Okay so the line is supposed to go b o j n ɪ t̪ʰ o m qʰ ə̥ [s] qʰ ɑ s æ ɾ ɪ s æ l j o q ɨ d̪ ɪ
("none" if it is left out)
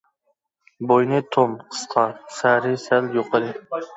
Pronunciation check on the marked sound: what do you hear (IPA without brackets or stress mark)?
s